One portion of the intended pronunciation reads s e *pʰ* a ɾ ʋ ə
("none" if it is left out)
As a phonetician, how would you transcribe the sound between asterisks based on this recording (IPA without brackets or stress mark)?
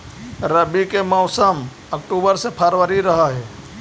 pʰ